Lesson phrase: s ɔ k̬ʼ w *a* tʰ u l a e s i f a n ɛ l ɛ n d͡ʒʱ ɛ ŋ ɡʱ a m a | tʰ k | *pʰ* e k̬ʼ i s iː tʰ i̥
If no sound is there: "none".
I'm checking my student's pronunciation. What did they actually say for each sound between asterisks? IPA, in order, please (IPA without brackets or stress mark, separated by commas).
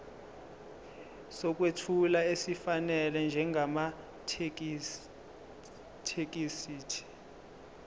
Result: e, tʰ